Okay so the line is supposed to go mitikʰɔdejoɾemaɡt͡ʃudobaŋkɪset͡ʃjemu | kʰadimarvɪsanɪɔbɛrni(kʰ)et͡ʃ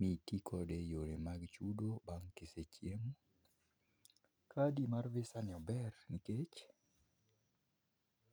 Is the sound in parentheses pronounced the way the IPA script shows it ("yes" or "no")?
no